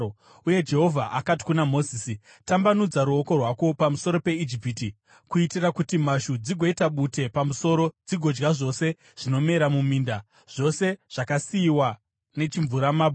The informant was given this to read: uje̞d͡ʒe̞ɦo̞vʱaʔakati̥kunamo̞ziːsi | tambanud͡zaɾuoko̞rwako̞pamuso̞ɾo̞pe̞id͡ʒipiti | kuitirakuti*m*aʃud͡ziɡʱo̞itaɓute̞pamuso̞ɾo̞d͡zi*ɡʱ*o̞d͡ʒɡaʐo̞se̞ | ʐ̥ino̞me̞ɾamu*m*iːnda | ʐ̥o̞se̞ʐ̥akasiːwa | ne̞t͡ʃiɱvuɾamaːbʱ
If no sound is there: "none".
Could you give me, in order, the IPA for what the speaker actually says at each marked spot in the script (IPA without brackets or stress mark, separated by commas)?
m, ɡʱ, m